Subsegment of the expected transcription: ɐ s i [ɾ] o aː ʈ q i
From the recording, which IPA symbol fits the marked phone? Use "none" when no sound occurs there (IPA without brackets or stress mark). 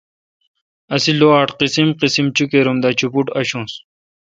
l